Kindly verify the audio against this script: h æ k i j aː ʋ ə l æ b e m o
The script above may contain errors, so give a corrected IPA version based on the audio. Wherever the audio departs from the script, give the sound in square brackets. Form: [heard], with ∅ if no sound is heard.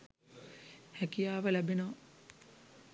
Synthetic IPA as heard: h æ k i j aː ʋ ə l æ b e [n] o